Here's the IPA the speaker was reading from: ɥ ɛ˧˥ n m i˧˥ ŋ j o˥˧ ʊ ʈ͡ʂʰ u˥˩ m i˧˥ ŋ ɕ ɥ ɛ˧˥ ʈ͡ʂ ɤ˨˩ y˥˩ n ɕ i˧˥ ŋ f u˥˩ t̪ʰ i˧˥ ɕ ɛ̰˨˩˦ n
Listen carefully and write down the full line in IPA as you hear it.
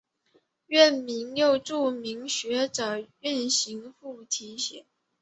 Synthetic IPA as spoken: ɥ ɛ˥˩ n m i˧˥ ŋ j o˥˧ ʊ ʈ͡ʂ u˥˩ m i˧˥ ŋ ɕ ɥ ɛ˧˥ ʈ͡ʂ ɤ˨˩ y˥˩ n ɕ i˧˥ ŋ f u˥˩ t̪ʰ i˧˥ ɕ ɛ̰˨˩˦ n

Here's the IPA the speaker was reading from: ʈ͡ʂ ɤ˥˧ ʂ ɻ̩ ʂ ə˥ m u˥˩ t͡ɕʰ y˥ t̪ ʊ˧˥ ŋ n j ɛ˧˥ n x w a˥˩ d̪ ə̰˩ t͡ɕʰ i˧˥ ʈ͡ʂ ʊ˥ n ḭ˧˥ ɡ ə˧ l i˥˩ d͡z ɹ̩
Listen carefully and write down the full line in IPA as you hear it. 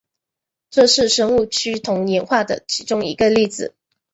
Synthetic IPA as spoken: ʈ͡ʂ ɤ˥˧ ʂ ɻ̩ ʂ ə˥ ŋ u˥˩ t͡ɕʰ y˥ t̪ʰ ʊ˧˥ ŋ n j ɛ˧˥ n x w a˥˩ d̪ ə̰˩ t͡ɕʰ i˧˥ ʈ͡ʂ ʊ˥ ŋ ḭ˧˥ ɡ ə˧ l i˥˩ d͡z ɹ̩

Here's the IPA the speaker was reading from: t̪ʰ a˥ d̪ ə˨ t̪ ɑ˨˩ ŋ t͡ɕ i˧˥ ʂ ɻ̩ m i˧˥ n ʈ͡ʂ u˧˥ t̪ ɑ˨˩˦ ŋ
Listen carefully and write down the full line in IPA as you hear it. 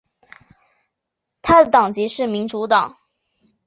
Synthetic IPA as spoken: t̪ʰ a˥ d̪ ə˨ t̪ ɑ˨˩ ŋ t͡ɕ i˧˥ ʂ ɻ̩ m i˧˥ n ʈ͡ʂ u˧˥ t̪ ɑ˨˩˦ ŋ

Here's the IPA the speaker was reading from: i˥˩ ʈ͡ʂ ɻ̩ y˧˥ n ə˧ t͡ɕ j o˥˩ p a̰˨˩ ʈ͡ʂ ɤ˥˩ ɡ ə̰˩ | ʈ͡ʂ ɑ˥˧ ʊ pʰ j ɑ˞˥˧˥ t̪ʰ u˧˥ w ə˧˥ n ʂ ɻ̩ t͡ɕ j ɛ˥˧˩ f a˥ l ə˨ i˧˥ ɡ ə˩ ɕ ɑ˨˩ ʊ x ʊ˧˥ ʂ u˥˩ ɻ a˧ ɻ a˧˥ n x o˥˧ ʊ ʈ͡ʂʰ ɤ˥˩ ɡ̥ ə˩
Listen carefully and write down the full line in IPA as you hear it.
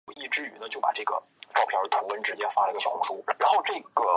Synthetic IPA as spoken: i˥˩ ʈ͡ʂ ɻ̩ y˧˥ n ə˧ t͡ɕ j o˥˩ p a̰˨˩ ʈ͡ʂ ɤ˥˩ ɡ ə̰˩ | ʈ͡ʂ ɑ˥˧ ʊ pʰ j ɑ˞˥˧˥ t̪ʰ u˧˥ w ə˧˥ n ʈ͡ʂ ɻ̩ t͡ɕ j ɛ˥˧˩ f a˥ l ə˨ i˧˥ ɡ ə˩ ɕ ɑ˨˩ ʊ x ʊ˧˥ ʂ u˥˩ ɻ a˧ ɻ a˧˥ n x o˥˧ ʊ ʈ͡ʂ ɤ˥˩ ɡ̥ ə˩

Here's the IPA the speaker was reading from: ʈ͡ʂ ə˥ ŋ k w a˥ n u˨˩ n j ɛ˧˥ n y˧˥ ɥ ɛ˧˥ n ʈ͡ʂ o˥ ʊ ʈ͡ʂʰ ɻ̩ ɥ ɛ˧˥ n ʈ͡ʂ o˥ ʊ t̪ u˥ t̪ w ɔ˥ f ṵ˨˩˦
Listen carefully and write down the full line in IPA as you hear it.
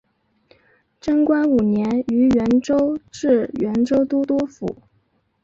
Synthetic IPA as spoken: ʈ͡ʂ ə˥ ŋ k w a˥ n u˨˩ n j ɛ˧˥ n y˧˥ ɥ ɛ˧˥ n ʈ͡ʂ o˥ ʊ ʈ͡ʂ ɻ̩ ɥ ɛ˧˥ n ʈ͡ʂ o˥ ʊ t̪ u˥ t̪ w ɔ˥ f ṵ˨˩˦

